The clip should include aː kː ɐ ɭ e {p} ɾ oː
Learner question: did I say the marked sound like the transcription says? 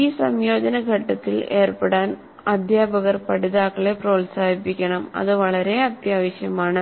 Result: yes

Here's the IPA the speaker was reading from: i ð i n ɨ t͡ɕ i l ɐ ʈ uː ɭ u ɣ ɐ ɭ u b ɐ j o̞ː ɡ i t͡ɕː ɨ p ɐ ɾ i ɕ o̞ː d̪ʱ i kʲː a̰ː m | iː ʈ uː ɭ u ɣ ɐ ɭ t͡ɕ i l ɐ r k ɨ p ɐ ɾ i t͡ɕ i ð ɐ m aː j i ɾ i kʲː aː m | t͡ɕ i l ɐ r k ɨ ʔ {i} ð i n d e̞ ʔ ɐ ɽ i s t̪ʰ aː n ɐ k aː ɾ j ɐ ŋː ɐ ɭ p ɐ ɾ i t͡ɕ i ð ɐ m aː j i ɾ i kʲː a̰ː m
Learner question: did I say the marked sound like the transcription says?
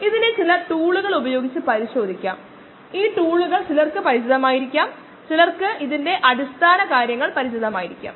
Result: yes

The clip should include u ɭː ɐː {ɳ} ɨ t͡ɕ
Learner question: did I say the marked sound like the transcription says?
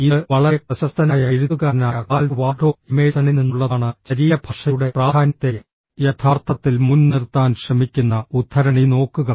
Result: yes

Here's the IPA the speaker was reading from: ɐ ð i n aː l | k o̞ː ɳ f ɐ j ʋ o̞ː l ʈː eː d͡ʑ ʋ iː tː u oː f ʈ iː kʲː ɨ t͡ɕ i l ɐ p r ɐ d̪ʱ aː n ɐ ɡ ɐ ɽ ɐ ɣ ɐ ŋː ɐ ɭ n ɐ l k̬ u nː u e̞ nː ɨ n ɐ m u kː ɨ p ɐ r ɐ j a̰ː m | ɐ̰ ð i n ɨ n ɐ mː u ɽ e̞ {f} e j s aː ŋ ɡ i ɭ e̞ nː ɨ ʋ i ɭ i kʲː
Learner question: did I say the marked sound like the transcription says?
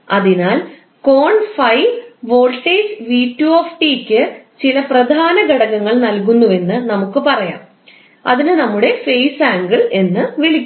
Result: yes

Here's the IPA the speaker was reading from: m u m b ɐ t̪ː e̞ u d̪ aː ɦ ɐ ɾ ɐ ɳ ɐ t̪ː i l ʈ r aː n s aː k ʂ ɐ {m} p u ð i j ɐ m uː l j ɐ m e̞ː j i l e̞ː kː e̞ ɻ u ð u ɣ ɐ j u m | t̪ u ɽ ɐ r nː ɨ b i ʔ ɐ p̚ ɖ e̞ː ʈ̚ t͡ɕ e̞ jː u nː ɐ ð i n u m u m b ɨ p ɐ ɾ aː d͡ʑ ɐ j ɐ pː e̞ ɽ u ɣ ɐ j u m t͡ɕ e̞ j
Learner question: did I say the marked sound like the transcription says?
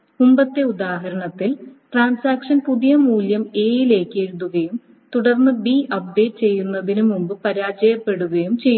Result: no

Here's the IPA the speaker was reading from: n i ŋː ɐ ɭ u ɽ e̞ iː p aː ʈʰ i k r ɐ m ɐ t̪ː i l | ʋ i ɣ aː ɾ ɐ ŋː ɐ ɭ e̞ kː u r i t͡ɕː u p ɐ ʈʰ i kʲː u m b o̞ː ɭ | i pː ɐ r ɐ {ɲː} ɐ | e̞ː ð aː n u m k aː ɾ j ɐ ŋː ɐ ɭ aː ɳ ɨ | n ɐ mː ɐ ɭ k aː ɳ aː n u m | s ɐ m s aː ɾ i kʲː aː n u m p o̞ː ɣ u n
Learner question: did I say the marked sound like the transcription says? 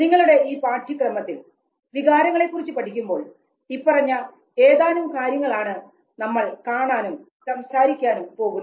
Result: yes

